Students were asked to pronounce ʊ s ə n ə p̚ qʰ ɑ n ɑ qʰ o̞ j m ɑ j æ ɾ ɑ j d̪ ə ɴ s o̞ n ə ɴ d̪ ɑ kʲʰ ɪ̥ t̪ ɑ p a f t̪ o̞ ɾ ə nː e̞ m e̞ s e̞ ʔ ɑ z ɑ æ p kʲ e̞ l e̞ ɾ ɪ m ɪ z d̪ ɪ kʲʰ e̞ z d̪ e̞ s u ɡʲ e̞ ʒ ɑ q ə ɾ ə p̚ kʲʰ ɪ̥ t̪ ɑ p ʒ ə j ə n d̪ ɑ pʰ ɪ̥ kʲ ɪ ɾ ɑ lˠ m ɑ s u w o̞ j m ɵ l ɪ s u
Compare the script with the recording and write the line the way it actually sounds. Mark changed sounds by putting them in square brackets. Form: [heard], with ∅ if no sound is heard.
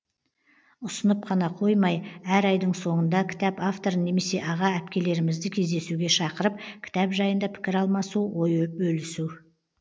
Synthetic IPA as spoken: ʊ s ə n ə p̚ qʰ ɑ n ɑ qʰ o̞ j m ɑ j æ ɾ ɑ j d̪ ə ɴ s o̞ [ɴ] ə [n] d̪ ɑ kʲʰ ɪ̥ t̪ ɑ p a f t̪ o̞ ɾ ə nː e̞ m e̞ s e̞ ʔ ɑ [ʁ] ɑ æ p kʲ e̞ l e̞ ɾ ɪ m ɪ z d̪ ɪ kʲʰ e̞ z d̪ e̞ s u ɡʲ e̞ [ʃ] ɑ q ə ɾ ə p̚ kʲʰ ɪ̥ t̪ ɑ p ʒ [ɑ] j ə n d̪ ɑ pʰ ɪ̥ kʲ ɪ ɾ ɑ lˠ m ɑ s u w o̞ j [b] ɵ l ɪ s u

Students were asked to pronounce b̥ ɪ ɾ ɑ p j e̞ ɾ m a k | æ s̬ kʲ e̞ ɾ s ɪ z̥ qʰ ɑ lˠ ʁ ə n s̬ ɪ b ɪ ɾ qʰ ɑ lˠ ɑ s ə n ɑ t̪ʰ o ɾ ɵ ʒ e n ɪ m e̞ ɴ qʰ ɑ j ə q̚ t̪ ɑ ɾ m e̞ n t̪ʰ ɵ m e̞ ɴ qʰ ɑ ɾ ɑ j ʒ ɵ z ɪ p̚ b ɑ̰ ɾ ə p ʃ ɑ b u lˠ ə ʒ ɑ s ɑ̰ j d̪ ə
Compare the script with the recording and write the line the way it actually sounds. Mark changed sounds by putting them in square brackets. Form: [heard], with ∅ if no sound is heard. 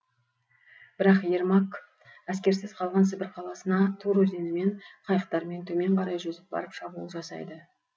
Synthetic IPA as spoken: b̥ ɪ ɾ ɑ [q] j e̞ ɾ m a k | æ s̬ kʲ e̞ ɾ s ɪ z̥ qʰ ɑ lˠ ʁ [ɑ] n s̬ ɪ b ɪ ɾ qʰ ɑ lˠ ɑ s ə n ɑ t̪ʰ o ɾ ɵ [z] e n ɪ m e̞ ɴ qʰ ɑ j ə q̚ t̪ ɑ ɾ m e̞ n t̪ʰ ɵ m e̞ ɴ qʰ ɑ ɾ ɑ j ʒ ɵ z ɪ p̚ b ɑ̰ ɾ ə p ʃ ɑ b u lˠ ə ʒ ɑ s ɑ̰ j d̪ ə

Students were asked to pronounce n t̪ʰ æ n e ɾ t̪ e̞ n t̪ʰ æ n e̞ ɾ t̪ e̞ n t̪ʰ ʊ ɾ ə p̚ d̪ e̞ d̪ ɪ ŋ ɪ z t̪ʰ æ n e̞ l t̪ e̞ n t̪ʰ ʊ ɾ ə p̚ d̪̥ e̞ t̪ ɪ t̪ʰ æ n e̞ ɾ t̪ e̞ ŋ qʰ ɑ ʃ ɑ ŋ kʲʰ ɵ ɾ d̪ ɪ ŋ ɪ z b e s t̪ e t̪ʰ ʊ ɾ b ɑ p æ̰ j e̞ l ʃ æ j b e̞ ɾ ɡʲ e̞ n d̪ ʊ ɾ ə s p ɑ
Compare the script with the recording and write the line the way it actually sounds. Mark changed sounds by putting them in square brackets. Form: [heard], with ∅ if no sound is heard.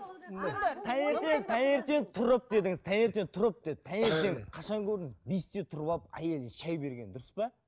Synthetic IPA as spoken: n t̪ʰ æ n e ɾ t̪ e̞ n t̪ʰ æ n e̞ ɾ t̪ e̞ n t̪ʰ ʊ ɾ ə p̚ d̪ e̞ d̪ ɪ ŋ ɪ z t̪ʰ æ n e̞ [ɾ] t̪ e̞ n t̪ʰ ʊ ɾ ə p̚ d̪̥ e̞ [d̪] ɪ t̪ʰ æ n e̞ ɾ t̪ e̞ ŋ qʰ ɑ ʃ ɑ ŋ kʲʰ ɵ ɾ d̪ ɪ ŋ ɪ z b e s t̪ e t̪ʰ ʊ ɾ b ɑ p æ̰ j e̞ l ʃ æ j b e̞ ɾ ɡʲ e̞ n d̪ ʊ ɾ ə s p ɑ

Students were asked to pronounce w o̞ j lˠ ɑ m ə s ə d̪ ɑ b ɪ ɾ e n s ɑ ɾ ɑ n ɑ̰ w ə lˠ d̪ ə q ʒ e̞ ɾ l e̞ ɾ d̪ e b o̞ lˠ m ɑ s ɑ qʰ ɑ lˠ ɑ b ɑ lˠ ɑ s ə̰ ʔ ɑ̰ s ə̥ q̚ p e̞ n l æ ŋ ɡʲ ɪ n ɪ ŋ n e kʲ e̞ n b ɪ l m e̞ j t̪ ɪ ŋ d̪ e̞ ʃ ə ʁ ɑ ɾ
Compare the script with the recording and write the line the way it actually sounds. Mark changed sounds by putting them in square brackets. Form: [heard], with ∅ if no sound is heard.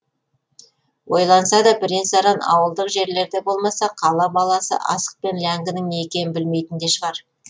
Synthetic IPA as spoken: w o̞ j lˠ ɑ [n] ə s [ɑ] d̪ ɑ b ɪ ɾ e n s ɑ ɾ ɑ n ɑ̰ w ə lˠ d̪ ə q ʒ e̞ ɾ l e̞ ɾ d̪ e b o̞ lˠ m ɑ s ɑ qʰ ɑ lˠ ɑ b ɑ lˠ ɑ s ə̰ ʔ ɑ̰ s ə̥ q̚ p e̞ n l æ ŋ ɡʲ ɪ n ɪ ŋ n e kʲ e̞ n b ɪ l m e̞ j t̪ ɪ [n] d̪ e̞ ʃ ə ʁ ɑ ɾ

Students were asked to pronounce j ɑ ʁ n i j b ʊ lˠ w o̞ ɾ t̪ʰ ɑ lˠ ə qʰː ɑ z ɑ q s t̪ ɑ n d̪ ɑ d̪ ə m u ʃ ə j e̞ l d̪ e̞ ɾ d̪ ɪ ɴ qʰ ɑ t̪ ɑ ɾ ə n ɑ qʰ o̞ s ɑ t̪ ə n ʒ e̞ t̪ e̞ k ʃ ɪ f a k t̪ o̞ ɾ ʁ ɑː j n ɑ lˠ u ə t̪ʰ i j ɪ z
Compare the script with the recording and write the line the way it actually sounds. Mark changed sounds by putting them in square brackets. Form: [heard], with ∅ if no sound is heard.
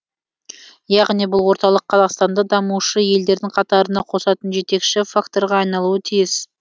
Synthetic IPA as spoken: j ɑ ʁ n i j b ʊ lˠ w o̞ ɾ [t̪] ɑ lˠ ə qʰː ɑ z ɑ q s t̪ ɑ n d̪ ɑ d̪ [ɑ] m u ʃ ə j e̞ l d̪ e̞ ɾ d̪ ɪ [ŋ] qʰ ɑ t̪ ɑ ɾ ə n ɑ qʰ o̞ s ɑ t̪ ə n ʒ e̞ t̪ e̞ k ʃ ɪ f a k t̪ o̞ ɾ ʁ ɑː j n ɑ lˠ u ə t̪ʰ i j ɪ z

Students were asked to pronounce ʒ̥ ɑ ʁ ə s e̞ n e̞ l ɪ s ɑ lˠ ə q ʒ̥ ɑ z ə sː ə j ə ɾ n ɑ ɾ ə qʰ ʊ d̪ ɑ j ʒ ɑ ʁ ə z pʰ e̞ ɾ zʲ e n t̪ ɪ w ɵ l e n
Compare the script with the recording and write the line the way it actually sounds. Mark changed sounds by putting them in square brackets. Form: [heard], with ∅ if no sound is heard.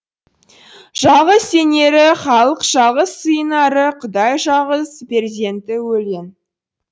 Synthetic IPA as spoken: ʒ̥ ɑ ʁ ə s e̞ n e̞ [ɾ] ɪ [χ] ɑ lˠ ə q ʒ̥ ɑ [ʁ] ə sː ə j ə [∅] n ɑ ɾ ə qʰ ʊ d̪ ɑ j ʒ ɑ ʁ ə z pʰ e̞ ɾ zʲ e n t̪ ɪ w ɵ l e n

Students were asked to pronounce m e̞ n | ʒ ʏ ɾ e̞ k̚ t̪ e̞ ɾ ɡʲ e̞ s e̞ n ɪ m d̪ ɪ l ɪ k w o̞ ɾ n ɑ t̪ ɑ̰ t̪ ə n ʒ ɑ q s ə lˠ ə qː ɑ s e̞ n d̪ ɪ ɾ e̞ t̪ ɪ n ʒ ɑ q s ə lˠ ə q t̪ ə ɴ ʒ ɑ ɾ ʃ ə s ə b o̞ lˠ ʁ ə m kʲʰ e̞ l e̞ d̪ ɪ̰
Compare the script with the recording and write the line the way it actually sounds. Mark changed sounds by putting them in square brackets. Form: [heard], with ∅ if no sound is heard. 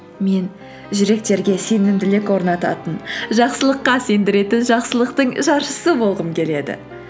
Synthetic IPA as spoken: m e̞ n | ʒ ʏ ɾ e̞ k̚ t̪ e̞ ɾ ɡʲ e̞ s e̞ n ɪ m d̪ ɪ l ɪ k w o̞ ɾ n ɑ t̪ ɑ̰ t̪ ə n ʒ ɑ q s ə lˠ ə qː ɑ s e̞ n d̪ ɪ ɾ e̞ t̪ ɪ n ʒ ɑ q s ə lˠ ə q t̪ ə ɴ ʒ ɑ ɾ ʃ ə s ə b o̞ lˠ ʁ ə m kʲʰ e̞ l e̞ d̪ ɪ̰

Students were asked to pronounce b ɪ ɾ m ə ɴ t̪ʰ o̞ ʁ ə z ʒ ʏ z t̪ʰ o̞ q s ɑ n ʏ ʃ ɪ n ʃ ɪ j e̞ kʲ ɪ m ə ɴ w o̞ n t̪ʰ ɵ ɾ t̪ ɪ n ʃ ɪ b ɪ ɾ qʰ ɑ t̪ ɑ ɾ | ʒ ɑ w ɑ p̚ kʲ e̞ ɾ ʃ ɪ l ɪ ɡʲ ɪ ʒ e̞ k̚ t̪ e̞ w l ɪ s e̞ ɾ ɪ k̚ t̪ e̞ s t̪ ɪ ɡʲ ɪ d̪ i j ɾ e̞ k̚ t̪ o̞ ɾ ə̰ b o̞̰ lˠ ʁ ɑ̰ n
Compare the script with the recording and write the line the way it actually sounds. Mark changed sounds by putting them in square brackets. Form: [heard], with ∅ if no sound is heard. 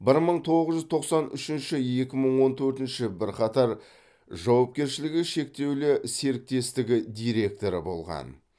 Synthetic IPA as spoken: b ɪ ɾ m ə ɴ t̪ʰ o̞ ʁ ə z ʒ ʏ z t̪ʰ o̞ q s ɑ n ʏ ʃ ɪ n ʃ ɪ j e̞ kʲ ɪ m ə ɴ w o̞ n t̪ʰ ɵ ɾ t̪ ɪ n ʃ ɪ b ɪ ɾ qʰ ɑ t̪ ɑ ɾ | ʒ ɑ w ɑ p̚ kʲ e̞ ɾ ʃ ɪ l ɪ ɡʲ ɪ [ʃ] e̞ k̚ t̪ e̞ w l ɪ s e̞ ɾ ɪ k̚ t̪ e̞ s t̪ ɪ ɡʲ ɪ d̪ i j ɾ e̞ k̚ t̪ o̞ ɾ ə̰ b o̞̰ lˠ ʁ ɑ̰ n

